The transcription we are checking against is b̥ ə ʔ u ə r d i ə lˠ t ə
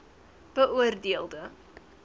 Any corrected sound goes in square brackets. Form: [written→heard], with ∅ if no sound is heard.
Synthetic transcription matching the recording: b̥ ə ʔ u ə r d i ə lˠ [t→d] ə